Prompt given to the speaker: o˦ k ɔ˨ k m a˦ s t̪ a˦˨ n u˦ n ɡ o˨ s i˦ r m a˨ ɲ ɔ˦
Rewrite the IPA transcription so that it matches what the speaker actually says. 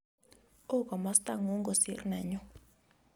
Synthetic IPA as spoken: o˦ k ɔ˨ m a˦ s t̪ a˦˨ ŋ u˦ ŋ ɡ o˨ s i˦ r n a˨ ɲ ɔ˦

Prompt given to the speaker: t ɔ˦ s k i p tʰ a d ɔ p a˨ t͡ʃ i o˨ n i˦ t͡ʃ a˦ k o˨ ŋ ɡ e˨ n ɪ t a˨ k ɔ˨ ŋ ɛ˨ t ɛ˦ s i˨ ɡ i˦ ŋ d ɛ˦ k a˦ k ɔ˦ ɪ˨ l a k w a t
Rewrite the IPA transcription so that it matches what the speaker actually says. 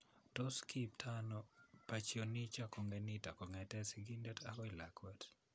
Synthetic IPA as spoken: t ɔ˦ s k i p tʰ a n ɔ p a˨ t͡ʃ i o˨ n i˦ t͡ʃ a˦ k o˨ ŋ ɡ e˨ n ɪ t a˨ k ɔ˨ ŋ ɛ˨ t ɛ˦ s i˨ ɡ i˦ n d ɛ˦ t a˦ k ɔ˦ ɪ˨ l a k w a t

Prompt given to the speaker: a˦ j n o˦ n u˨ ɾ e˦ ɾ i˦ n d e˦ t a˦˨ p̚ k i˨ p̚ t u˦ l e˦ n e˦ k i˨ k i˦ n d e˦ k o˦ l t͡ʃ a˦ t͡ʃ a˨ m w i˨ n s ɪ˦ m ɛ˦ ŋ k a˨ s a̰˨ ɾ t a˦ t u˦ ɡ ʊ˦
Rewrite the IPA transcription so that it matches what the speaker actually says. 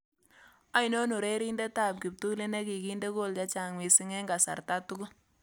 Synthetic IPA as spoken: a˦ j n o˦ n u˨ ɾ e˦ ɾ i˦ n d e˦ t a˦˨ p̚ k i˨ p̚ t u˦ l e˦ n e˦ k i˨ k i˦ n d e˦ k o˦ l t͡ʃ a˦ t͡ʃ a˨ ŋ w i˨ s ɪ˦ ŋ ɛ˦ ŋ ɡ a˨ s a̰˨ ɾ t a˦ t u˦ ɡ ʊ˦

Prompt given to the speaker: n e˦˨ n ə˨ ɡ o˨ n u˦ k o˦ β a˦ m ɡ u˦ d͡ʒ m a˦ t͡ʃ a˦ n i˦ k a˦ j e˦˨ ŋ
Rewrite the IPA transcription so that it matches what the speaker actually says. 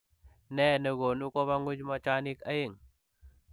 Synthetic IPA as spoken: n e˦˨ n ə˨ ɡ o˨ n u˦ k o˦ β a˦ ŋ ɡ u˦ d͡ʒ m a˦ t͡ʃ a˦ n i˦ k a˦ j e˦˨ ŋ

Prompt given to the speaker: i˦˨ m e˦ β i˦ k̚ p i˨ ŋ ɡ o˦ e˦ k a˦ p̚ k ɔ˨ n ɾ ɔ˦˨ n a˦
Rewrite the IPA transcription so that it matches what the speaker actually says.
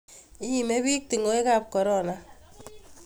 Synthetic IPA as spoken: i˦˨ m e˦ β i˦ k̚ t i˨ ŋ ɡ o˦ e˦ k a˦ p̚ k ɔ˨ ɾ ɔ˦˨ n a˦

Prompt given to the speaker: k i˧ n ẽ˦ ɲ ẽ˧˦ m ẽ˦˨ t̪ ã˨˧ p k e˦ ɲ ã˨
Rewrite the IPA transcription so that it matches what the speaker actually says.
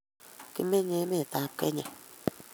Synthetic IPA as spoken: k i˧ m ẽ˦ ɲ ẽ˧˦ m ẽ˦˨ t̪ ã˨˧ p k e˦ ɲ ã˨

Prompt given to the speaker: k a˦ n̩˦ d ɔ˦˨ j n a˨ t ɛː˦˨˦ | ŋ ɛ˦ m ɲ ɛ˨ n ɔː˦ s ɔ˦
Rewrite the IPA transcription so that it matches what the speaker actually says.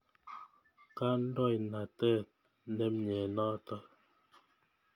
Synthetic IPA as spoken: k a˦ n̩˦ d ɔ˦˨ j n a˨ t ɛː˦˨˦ | n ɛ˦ m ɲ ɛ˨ n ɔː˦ t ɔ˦

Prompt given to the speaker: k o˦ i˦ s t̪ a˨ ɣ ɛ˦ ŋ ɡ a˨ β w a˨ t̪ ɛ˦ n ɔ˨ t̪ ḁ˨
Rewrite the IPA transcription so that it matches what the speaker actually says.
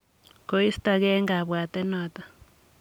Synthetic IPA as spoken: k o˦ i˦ s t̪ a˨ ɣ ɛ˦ ŋ ɡ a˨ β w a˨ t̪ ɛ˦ n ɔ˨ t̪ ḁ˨

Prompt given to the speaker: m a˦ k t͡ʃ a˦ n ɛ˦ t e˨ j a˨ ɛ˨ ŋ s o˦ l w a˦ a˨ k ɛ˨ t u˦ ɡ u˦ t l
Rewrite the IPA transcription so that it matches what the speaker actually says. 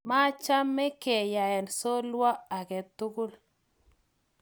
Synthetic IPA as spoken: m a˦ t͡ʃ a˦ m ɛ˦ k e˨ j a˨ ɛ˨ n s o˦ l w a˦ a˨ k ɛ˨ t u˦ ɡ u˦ l

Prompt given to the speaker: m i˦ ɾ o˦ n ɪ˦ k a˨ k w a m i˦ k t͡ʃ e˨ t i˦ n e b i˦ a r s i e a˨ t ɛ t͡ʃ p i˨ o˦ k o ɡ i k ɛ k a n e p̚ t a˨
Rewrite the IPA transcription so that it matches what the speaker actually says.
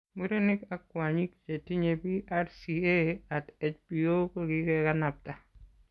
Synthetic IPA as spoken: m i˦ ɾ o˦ n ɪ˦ k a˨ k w a ɲ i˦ k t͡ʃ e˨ t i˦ ɲ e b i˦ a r s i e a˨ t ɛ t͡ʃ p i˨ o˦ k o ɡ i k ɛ k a n a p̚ t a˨

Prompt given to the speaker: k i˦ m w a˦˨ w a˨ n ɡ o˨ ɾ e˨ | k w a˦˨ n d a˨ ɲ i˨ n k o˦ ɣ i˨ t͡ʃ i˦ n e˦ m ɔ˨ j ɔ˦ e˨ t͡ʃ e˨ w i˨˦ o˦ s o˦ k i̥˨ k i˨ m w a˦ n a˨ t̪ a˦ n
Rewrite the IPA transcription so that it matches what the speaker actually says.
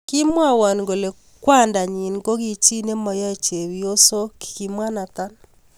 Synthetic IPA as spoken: k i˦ m w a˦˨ w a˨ n ɡ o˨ l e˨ | k w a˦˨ n d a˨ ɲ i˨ n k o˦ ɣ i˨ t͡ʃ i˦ n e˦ m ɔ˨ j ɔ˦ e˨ t͡ʃ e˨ w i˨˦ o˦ s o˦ k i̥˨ k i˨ m w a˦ n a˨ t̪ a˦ n

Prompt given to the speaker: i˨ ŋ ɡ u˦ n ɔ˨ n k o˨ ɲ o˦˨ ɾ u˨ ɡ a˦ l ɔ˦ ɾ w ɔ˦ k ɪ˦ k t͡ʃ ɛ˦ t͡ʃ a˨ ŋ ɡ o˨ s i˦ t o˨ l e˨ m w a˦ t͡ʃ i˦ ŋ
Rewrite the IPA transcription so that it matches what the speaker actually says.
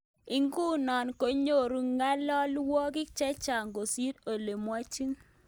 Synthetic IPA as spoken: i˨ ŋ ɡ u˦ n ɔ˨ n k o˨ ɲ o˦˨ ɾ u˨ ŋ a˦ l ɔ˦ l w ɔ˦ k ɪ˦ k t͡ʃ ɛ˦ t͡ʃ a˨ ŋ ɡ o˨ s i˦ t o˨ l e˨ m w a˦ t͡ʃ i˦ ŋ

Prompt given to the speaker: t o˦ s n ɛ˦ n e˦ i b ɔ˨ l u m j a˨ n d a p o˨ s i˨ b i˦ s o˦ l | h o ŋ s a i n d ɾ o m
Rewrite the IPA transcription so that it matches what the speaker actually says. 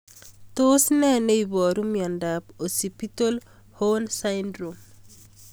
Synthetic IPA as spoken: t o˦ s n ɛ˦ n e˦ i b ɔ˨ ɾ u m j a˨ n d a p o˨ s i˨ p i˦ t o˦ l | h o n s a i n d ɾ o m

